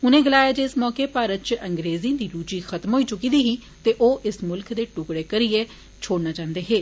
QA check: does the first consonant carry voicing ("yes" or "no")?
yes